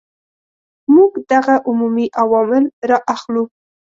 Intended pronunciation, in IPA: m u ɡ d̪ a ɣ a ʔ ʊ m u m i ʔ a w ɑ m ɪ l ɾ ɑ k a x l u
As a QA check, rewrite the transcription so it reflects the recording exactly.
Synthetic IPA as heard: m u ɡ d̪ a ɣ a ʔ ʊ m u m i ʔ a w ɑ m ɪ l ɾ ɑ ʔ a x l u